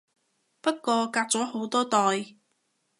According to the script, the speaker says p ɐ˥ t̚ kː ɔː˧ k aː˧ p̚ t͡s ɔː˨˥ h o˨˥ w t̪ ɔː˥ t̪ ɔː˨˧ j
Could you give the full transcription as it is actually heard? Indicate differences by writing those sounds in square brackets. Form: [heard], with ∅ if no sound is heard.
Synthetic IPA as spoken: p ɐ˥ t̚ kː ɔː˧ k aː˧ [k̚] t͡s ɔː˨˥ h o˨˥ w t̪ ɔː˥ t̪ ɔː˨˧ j